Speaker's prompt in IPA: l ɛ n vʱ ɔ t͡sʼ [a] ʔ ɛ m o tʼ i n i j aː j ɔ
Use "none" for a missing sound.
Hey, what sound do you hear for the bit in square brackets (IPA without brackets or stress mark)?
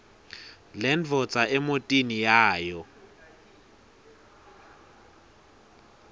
a